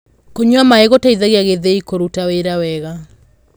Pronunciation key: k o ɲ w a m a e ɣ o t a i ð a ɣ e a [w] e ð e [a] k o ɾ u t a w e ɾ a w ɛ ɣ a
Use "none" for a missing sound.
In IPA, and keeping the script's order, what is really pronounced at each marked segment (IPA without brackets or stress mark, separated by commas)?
ɣ, i